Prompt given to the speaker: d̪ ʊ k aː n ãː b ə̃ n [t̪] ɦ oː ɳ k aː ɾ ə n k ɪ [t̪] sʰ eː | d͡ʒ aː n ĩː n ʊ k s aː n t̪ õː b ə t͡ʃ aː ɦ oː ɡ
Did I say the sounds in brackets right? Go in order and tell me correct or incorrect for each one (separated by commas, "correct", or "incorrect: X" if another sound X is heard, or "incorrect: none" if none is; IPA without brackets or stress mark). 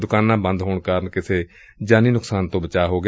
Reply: incorrect: d̪, incorrect: none